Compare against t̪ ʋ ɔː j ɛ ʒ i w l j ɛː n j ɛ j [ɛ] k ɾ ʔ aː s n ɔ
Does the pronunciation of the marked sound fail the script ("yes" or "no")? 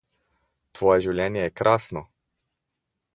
no